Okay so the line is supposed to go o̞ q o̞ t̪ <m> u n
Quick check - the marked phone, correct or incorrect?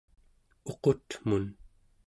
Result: correct